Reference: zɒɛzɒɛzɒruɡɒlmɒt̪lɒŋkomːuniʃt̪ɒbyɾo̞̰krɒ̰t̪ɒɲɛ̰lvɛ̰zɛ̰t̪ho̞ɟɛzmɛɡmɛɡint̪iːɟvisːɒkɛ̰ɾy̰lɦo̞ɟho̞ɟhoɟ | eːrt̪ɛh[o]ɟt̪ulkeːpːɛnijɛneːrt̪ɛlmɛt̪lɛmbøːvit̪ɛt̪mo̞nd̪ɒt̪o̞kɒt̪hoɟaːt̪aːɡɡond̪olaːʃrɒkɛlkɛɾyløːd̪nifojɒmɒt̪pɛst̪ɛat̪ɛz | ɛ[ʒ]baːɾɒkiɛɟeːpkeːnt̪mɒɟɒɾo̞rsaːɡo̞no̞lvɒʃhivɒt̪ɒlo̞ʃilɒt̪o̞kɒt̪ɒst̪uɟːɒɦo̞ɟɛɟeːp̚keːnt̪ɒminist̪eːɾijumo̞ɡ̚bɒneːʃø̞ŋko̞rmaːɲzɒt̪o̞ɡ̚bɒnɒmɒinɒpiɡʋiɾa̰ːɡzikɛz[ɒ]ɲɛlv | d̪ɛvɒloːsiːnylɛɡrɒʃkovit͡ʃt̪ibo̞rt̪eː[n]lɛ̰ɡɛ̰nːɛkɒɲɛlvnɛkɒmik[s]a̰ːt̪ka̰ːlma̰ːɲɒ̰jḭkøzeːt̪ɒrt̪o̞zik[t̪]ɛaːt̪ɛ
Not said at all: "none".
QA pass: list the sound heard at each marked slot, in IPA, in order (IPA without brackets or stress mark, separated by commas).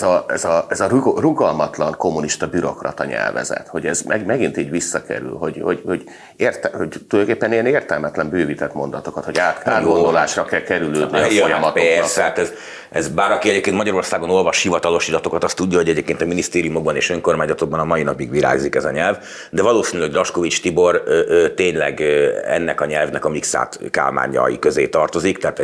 o, z, ɒ, ɲ, s, t̪